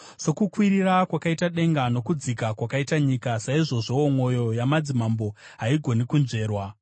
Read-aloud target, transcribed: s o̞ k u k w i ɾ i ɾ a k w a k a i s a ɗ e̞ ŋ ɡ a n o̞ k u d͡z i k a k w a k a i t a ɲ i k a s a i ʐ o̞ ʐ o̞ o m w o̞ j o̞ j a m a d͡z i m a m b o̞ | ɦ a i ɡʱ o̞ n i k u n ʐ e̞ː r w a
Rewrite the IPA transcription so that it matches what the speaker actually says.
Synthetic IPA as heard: s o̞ k u k w i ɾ i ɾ a k w a k a i t a ɗ e̞ ŋ ɡ a n o̞ k u d͡z i k a k w a k a i t a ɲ i k a s a i ʐ o̞ ʐ o̞ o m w o̞ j o̞ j a m a d͡z i m a m b o̞ | ɦ a i ɡʱ o̞ n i k u n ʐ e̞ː r w a